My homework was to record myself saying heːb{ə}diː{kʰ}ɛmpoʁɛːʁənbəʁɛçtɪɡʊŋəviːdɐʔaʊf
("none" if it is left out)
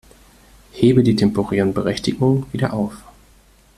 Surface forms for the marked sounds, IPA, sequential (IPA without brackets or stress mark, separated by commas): ə, tʰ